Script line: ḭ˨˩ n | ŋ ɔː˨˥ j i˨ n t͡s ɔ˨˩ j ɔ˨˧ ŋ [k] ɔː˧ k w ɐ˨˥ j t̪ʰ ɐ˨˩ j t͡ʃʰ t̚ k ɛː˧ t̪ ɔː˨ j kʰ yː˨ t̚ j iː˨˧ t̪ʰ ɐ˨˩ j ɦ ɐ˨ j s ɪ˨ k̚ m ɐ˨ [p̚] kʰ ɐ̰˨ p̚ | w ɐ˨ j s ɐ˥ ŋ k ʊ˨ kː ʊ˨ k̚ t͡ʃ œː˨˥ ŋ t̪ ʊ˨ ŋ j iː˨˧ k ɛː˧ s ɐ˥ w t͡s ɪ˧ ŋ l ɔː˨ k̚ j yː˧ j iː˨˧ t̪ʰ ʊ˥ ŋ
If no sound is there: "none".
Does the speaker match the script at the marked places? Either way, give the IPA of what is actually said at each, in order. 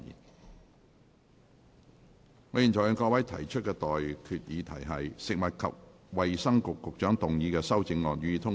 k, t̚

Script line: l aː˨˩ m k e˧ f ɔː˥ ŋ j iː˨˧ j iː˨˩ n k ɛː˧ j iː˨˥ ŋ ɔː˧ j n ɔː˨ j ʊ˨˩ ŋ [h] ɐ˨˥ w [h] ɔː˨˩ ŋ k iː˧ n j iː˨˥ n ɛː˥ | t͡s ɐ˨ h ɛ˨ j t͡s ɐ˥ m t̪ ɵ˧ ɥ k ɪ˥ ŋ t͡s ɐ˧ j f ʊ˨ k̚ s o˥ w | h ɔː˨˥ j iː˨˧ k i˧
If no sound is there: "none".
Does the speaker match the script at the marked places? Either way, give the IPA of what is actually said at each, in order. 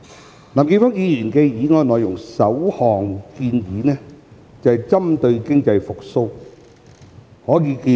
s, h

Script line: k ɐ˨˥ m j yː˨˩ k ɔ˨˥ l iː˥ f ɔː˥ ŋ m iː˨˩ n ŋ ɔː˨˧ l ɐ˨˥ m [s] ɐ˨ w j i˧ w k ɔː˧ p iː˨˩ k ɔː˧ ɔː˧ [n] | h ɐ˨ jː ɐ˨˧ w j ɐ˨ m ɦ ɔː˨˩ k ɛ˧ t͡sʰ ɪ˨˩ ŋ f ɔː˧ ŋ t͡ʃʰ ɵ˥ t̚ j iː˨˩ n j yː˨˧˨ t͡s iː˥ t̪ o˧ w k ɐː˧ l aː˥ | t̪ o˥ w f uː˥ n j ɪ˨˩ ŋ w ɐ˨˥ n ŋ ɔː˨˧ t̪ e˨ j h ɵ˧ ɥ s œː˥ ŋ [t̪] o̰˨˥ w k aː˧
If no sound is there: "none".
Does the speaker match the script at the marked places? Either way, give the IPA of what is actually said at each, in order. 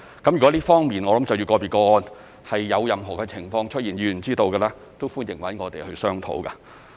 t͡s, n, t̪ʰ

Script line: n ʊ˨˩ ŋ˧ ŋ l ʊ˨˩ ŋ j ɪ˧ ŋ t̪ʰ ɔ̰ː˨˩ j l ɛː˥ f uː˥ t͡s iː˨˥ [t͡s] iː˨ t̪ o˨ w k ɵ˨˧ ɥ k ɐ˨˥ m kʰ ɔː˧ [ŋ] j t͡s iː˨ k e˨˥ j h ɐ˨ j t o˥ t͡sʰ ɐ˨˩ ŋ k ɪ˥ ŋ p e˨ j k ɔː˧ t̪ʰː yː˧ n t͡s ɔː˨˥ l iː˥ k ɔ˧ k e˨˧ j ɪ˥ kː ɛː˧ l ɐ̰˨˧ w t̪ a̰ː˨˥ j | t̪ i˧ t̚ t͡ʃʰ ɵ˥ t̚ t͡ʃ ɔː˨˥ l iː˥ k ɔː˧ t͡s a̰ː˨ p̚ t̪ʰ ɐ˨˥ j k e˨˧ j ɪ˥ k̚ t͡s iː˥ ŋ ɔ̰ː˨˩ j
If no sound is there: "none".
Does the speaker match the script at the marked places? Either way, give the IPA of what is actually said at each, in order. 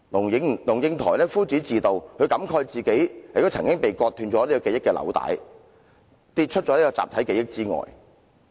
t͡s, none

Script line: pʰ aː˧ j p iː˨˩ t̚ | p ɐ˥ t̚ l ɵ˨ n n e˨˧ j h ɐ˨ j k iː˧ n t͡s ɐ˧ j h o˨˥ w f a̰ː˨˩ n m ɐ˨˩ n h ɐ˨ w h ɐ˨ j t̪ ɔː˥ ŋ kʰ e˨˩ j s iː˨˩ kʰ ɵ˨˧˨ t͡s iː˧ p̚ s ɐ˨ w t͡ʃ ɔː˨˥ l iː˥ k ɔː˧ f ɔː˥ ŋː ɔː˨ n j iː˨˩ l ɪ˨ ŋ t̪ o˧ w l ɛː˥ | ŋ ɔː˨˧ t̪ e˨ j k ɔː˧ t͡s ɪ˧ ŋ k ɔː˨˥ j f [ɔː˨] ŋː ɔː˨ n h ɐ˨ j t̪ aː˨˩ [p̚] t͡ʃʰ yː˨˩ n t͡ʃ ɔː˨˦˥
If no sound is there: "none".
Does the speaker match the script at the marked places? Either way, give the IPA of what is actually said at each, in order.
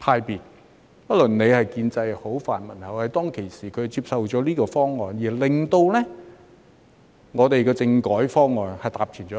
ɔː˥, p̚

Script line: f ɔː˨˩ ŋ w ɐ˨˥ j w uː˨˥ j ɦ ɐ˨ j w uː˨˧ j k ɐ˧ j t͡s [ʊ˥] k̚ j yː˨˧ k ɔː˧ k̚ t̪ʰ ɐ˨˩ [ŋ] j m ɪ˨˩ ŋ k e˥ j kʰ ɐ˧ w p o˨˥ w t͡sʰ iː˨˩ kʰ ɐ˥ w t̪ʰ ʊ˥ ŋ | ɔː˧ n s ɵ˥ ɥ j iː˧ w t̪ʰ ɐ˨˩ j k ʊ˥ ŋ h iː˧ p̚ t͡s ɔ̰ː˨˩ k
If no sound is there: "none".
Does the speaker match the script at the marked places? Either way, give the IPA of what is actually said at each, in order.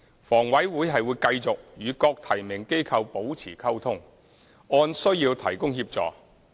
ʊ˨, none

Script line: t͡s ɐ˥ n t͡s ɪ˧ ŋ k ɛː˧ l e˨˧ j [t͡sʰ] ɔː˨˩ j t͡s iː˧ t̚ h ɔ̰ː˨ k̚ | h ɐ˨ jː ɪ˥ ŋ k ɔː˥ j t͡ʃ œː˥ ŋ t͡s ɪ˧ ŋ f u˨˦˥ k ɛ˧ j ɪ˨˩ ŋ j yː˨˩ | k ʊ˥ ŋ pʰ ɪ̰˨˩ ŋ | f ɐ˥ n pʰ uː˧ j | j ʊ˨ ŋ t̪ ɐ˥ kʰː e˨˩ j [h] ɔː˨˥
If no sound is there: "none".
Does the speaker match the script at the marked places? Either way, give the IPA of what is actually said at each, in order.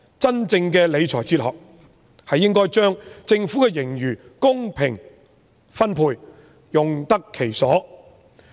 t͡sʰ, s

